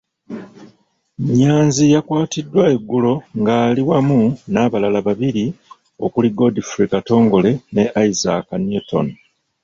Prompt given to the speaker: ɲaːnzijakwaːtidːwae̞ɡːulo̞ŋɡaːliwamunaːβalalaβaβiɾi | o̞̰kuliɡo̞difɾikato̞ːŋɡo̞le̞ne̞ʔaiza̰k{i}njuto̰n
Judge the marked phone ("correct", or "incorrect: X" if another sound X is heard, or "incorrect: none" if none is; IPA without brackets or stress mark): incorrect: a